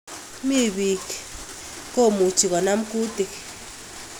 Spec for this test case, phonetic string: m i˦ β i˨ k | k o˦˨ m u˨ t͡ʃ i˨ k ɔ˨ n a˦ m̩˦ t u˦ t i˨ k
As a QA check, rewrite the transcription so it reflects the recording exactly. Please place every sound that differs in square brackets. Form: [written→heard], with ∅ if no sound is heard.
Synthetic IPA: m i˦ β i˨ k | k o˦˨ m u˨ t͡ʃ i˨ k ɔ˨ n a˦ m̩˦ [t→k] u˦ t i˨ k